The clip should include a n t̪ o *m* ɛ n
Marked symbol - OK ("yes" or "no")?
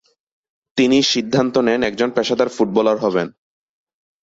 no